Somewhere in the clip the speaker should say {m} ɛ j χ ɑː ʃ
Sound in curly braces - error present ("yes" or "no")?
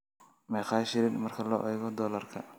no